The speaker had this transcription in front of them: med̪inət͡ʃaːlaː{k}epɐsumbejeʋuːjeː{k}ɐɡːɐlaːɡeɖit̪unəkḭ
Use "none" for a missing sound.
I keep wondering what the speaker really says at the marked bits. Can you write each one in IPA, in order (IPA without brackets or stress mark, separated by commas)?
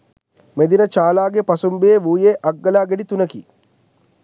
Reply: ɡ, ʔ